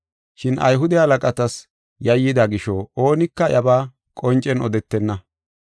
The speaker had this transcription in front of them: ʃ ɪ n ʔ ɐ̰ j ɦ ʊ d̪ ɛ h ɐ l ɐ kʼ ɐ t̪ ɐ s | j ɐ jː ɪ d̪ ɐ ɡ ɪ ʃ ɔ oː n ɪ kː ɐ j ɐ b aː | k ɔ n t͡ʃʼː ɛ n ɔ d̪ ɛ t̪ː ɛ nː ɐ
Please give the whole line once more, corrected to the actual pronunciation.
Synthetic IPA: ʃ ɪ n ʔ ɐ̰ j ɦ ʊ d̪ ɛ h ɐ l ɐ kʼ ɐ t̪ ɐ s | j ɐ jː ɪ d̪ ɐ ɡ ɪ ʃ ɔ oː n ɪ kː ɐ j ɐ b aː | kʼ ɔ n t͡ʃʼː ɛ n ɔ d̪ ɛ t̪ː ɛ nː ɐ